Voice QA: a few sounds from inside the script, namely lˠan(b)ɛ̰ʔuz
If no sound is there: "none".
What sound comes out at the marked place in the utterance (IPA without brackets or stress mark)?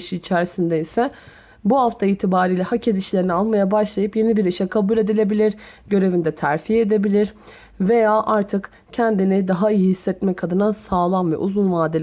v